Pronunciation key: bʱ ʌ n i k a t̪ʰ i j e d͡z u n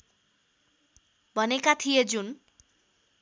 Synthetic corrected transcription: bʱ ʌ n e k a t̪ʰ i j e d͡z u n